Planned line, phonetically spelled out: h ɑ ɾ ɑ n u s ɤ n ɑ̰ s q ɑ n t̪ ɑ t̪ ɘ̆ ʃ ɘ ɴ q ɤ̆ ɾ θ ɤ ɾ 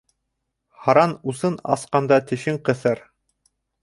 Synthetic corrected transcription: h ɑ ɾ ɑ n u s ɤ n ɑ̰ s q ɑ n d̪ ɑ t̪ ɘ̆ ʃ ɘ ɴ q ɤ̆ θ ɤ ɾ